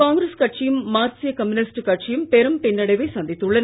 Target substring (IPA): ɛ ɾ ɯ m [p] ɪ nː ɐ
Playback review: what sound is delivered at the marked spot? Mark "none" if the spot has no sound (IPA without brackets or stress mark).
p